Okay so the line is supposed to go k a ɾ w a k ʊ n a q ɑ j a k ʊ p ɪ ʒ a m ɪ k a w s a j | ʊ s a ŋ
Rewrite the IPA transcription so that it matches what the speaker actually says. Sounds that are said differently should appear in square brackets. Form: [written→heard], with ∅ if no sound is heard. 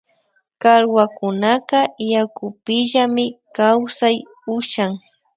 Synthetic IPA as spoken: k a ɾ w a k ʊ n a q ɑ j a k ʊ p ɪ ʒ a m ɪ k a w s a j | ʊ [s→ʃ] a ŋ